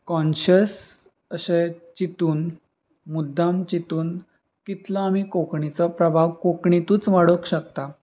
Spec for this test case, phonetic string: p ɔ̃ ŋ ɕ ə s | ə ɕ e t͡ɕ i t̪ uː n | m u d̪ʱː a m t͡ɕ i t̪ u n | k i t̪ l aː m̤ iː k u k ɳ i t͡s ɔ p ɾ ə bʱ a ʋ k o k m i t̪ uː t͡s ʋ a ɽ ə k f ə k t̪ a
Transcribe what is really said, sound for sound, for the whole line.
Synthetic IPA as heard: k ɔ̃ n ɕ ə s | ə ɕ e t͡ɕ i t̪ uː n | m u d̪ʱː a m t͡ɕ i t̪ uː n | k i t̪ l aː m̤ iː k o k ɳ i t͡s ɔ p ɾ ə bʱ a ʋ k o k ɳ i t̪ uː t͡s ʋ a ɽ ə k ɕ ə k t̪ a

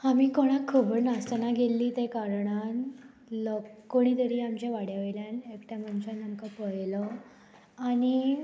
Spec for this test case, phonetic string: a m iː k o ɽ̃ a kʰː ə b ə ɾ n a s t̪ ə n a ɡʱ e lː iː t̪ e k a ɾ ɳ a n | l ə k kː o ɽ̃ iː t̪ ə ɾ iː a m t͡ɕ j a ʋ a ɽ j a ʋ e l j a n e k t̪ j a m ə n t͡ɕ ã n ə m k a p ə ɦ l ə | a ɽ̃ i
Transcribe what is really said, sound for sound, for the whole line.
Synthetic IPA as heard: a m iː k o ɽ̃ a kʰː ə b ə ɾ n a s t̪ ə n a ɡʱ e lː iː t̪ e k a ɾ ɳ a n | l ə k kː o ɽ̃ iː t̪ ə ɾ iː a m t͡ɕ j a ʋ a ɽ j a ʋ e l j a n e k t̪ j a m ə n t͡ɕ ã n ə m k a p ə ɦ l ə | a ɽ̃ i

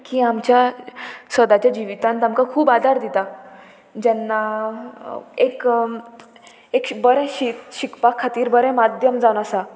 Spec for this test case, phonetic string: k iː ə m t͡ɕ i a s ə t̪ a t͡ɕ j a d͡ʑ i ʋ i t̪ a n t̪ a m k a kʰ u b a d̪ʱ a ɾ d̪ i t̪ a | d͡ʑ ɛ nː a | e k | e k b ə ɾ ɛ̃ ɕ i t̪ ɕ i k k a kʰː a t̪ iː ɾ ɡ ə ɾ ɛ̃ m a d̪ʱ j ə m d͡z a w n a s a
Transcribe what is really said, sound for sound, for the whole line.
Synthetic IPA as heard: k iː a m t͡ɕ j a s ə d̪ a t͡ɕ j a d͡ʑ i ʋ i t̪ a n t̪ a m k a kʰ uː b a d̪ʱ a ɾ d̪ i t̪ a | d͡ʑ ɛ nː a | e k | e k b ə ɾ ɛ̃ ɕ i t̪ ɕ i k p a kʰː a t̪ iː ɾ b ə ɾ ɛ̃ m a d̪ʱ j ə m d͡z a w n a s a

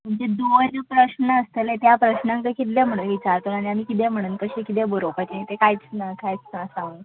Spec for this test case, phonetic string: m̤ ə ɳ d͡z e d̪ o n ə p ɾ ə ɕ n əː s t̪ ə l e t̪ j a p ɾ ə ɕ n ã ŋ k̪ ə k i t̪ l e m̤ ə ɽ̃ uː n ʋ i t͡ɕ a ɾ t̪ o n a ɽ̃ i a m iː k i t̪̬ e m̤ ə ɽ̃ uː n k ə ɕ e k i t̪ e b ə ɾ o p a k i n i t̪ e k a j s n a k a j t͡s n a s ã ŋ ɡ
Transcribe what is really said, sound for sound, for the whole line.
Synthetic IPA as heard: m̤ ə ɳ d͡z e d̪ o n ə p ɾ ə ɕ n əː s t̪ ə l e t̪ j a p ɾ ə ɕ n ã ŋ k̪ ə k i t̪ l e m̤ ə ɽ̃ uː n ʋ i t͡ɕ a ɾ t̪ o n a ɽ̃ i a m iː k i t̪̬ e m̤ ə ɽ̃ uː n k ə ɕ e k i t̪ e b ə ɾ o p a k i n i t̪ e k a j t͡s n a k a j t͡s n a s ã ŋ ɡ

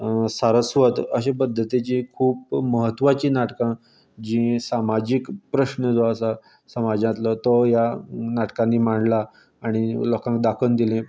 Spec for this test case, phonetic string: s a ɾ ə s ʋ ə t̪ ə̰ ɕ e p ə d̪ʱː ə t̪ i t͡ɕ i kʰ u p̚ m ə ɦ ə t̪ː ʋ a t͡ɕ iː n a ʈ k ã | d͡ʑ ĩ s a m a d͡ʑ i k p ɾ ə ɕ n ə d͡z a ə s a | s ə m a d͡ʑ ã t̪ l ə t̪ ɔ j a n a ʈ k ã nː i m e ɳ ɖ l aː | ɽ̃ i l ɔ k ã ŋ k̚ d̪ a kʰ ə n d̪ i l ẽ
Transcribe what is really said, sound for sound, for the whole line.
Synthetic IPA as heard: s a ɾ ə s ʋ ə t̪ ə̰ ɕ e p ə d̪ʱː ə t̪ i t͡ɕ i kʰ uː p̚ m ə ɦ ə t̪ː ʋ a t͡ɕ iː n a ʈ k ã | d͡ʑ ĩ s a m a d͡ʑ i k p ɾ ə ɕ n ə d͡z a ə s a | s ə m a d͡ʑ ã t̪ l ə t̪ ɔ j a n a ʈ k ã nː i m a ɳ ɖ l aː | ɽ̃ i l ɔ k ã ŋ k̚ d̪ a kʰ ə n d̪ i l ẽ

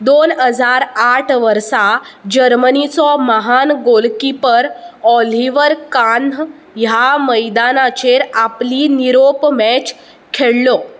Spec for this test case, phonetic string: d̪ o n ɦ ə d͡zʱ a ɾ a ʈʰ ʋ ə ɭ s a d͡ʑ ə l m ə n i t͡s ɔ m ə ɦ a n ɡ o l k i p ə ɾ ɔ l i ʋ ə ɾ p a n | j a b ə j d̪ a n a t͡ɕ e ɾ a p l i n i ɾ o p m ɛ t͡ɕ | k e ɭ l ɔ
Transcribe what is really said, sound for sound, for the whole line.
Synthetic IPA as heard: d̪ o n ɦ ə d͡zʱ a ɾ a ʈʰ ʋ ə ɾ s a d͡ʑ ə ɾ m ə n i t͡s ɔ m ə ɦ a n ɡ o l k i p ə ɾ ɔ l i ʋ ə ɾ k a n | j a m ə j d̪ a n a t͡ɕ e ɾ a p l i n i ɾ o p m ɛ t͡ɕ | kʰ e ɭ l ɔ

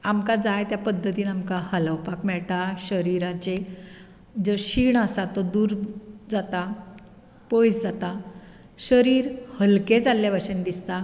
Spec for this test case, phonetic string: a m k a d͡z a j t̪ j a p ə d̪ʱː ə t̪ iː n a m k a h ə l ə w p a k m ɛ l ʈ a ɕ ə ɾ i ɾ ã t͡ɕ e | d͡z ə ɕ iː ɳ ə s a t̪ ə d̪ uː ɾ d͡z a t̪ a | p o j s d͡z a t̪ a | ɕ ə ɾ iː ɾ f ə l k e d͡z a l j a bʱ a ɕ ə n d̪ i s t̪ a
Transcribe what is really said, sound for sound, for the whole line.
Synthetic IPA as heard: a m k a d͡z a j t̪ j a p ə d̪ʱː ə t̪ iː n a m k a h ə l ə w p a k m ɛ ɭ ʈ a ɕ ə ɾ i ɾ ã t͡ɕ e | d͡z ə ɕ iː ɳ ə s a t̪ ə d̪ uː ɾ d͡z a t̪ a | p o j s d͡z a t̪ a | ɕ ə ɾ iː ɾ h ə l k e d͡z a l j a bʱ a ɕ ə n d̪ i s t̪ a

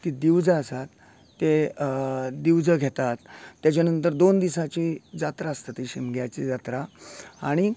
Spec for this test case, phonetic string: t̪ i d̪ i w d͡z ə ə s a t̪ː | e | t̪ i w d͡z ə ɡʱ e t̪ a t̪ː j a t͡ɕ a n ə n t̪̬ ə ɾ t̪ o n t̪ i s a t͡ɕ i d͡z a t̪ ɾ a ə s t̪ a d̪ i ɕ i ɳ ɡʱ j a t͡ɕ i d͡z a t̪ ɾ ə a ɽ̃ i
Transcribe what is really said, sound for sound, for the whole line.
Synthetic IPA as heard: t̪ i d̪ i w d͡z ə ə s a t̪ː | e | d̪ i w d͡z ə ɡʱ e t̪ a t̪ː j a t͡ɕ a n ə n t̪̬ ə ɾ d̪ o n d̪ i s a t͡ɕ i d͡z a t̪ ɾ a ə s t̪ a t̪ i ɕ i m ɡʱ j a t͡ɕ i d͡z a t̪ ɾ a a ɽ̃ i

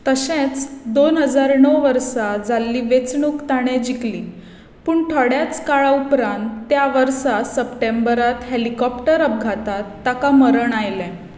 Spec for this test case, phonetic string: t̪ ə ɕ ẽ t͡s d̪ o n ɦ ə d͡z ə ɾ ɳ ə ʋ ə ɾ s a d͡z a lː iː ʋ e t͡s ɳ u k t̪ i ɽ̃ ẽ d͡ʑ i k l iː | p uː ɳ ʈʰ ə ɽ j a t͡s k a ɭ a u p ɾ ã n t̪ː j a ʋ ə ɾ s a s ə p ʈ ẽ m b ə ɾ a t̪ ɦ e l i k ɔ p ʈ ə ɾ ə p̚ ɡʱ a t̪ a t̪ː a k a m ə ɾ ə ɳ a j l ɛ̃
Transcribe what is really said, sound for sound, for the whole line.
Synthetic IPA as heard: t̪ ə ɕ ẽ t͡s d̪ o n ɦ ə d͡z a ɾ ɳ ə ʋ ə ɾ s a d͡z a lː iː ʋ e t͡s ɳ u k t̪ a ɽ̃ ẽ d͡ʑ i k l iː | p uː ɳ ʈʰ ə ɽ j a t͡s k a ɭ a u p ɾ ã n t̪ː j a ʋ ə ɾ s a s ə p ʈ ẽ m b ə ɾ a t̪ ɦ e l i k ɔ p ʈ ə ɾ ə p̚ ɡʱ a t̪ a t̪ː a k a m ə ɾ ə ɳ a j l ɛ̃

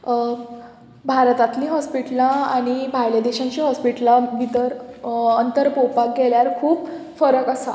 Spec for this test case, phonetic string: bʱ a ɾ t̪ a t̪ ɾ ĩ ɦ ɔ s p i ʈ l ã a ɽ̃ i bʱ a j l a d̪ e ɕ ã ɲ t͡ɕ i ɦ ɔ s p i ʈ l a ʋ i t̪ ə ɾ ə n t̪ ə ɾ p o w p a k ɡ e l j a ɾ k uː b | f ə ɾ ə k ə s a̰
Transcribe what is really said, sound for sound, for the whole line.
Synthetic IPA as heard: bʱ a ɾ t̪ a t̪ l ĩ ɦ ɔ s p i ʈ l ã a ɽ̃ i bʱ a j l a d̪ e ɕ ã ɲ t͡ɕ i ɦ ɔ s p i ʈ l a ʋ i t̪ ə ɾ ə n t̪ ə ɾ p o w p a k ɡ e l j a ɾ kʰ uː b | f ə ɾ ə k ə s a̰

